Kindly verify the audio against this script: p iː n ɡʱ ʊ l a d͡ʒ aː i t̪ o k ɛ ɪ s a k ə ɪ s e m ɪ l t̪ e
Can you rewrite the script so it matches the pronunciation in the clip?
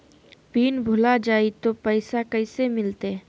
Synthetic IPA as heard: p iː n bʱ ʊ l a d͡ʒ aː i t̪ o p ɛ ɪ s a k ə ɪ s e m ɪ l t̪ e